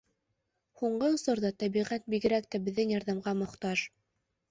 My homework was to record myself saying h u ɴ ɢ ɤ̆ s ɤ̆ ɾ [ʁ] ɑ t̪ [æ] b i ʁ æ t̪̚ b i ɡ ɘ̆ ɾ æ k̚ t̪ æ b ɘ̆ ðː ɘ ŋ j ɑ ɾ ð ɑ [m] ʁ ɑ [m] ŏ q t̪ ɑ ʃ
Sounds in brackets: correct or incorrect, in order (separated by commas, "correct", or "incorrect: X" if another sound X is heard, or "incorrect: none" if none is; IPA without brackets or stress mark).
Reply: incorrect: ð, correct, correct, correct